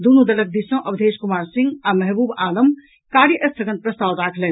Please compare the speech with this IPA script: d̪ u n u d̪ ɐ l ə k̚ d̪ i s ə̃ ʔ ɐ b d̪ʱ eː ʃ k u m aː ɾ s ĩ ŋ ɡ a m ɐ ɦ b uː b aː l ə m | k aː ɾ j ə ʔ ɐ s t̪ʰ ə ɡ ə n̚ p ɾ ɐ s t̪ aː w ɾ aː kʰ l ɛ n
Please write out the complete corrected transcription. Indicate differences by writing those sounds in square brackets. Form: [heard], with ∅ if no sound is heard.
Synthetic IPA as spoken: d̪ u n u d̪ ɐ l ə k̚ d̪ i s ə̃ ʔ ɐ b d̪ʱ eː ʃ k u m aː ɾ s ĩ ŋ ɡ a m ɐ ɦ b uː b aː l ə m | k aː ɾ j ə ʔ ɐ s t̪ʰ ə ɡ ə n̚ p ɾ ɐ s t̪ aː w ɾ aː kʰ l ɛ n